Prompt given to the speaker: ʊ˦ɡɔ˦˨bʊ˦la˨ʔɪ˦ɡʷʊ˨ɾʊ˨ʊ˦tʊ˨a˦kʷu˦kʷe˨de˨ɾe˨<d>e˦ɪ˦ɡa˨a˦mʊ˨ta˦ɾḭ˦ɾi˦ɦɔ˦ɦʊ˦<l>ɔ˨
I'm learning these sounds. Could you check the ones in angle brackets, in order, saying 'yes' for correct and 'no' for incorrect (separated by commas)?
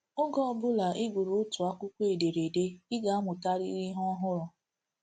yes, no